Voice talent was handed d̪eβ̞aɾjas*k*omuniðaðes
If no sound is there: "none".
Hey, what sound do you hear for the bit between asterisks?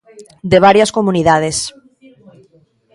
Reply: k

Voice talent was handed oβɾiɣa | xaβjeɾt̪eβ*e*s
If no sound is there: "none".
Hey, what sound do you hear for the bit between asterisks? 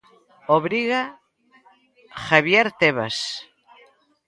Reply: a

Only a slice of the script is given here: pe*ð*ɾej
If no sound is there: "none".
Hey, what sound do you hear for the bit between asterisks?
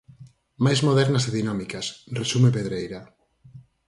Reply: ð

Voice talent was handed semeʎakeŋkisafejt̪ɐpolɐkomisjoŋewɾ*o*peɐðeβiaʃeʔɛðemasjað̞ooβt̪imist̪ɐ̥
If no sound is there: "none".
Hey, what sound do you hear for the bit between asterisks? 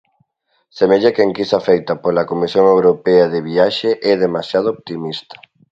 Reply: o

